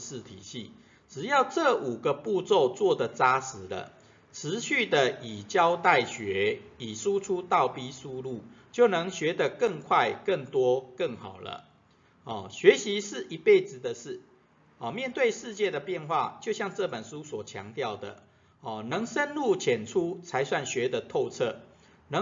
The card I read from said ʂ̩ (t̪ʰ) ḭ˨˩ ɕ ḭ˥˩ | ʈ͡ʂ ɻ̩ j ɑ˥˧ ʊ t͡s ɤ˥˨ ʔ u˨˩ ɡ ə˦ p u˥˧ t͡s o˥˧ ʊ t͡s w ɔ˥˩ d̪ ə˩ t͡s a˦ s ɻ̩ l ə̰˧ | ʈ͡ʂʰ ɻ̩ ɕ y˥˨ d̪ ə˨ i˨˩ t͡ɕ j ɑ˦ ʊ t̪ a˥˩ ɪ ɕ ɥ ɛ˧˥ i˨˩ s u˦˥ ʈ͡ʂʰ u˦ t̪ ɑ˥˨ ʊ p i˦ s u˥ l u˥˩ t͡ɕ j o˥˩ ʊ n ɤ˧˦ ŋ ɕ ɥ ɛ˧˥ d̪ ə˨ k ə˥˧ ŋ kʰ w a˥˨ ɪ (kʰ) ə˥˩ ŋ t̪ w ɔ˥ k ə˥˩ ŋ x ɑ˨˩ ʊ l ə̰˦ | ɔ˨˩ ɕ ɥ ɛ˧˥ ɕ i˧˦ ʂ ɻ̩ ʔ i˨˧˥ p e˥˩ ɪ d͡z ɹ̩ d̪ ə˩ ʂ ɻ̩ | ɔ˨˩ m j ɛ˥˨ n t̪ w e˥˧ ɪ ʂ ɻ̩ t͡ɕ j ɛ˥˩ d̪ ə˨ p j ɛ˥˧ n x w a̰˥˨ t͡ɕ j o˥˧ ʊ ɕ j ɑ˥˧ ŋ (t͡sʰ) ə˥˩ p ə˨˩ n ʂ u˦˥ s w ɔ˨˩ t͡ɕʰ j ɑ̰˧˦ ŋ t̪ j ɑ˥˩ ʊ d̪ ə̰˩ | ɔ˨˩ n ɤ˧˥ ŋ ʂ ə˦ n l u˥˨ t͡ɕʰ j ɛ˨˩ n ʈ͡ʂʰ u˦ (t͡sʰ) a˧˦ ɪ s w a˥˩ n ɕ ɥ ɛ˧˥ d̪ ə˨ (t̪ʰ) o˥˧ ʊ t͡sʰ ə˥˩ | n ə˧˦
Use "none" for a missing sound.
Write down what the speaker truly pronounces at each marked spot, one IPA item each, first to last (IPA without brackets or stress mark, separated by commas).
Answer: t̪ʰ, k, t͡s, t͡sʰ, t̪ʰ